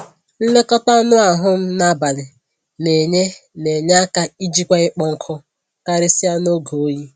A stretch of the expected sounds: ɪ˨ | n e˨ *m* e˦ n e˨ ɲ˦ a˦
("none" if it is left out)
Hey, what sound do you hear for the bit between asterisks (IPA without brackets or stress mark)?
ɲ